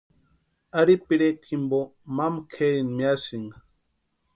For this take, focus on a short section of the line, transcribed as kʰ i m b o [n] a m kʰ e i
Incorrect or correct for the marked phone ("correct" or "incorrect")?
incorrect